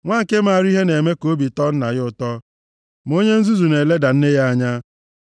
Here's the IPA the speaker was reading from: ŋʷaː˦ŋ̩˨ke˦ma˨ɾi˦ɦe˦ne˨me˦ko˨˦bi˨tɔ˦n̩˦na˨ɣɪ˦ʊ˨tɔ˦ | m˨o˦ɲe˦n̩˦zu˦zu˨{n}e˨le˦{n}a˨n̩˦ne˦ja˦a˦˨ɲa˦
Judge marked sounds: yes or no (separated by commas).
yes, no